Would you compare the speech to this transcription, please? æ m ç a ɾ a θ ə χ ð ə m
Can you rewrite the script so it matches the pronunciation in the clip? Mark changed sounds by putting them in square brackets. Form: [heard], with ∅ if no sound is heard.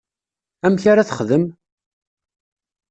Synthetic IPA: æ m ç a ɾ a θ ə χ ð ə m